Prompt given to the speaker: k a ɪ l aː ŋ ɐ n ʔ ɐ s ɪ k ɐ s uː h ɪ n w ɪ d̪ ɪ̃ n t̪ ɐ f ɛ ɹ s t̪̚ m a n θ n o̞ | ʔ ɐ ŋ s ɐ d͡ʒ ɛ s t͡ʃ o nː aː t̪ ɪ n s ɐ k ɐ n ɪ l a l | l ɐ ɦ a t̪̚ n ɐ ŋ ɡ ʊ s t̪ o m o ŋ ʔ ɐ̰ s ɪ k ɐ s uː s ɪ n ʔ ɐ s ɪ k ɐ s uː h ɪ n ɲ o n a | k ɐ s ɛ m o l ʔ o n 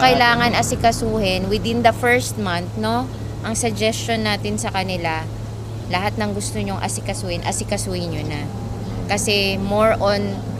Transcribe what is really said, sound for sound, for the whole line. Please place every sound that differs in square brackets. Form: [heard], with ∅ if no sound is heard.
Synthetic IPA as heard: k [ɐ] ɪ l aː ŋ ɐ n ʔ ɐ s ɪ k ɐ s uː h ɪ n w ɪ d̪ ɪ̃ n [d̪] ɐ f ɛ ɹ s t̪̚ m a n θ n o̞ | ʔ ɐ ŋ s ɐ d͡ʒ ɛ s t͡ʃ o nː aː t̪ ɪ n s ɐ k ɐ n ɪ l a [∅] | l ɐ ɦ a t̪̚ n ɐ ŋ ɡ ʊ s t̪ o [ɲ] o ŋ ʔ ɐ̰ s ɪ k ɐ s uː [h] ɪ n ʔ ɐ s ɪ k ɐ s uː h ɪ n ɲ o n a | k ɐ s ɛ m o [ɹ] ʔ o n